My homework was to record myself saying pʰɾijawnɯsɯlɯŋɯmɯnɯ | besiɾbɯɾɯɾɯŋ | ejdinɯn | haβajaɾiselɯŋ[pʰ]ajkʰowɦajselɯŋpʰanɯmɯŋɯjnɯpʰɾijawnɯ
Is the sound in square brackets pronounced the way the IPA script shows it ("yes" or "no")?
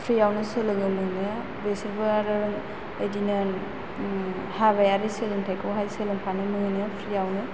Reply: no